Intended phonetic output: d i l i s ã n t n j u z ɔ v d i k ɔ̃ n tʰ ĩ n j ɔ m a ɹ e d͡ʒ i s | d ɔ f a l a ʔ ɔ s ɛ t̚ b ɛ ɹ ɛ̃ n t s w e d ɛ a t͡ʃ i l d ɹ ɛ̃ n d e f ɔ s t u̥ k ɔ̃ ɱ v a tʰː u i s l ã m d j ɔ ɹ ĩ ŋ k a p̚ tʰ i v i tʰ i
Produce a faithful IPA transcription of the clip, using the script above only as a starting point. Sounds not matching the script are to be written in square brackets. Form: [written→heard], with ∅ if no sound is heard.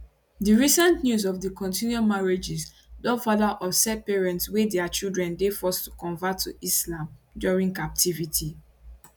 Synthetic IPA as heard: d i [l→ɹ] i s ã n t n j u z ɔ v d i k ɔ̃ n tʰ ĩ n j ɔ m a ɹ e d͡ʒ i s | d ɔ f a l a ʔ ɔ s ɛ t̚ [b→p] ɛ ɹ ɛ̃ n t s w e d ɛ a t͡ʃ i l d ɹ ɛ̃ n d e f ɔ s t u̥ k ɔ̃ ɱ v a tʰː u i s l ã m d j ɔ ɹ ĩ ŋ k a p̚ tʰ i v i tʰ i